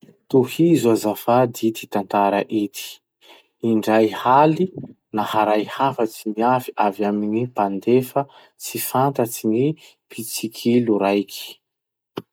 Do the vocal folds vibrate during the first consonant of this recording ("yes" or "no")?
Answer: no